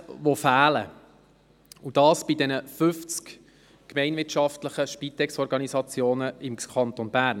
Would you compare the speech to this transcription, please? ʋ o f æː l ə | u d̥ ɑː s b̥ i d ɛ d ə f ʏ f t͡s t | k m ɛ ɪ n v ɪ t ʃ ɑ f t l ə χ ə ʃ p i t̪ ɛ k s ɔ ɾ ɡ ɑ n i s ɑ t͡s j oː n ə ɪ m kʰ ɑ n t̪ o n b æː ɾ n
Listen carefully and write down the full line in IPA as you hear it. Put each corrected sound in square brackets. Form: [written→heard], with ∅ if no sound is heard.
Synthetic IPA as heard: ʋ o f æː l ə | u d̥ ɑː s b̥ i d ɛ [d→n] ə f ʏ f t͡s [t→k] | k m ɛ ɪ n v ɪ t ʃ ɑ f t l ə χ ə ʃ p i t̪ ɛ k s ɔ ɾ ɡ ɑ n i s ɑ t͡s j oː n ə ɪ m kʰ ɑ n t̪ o n b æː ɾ n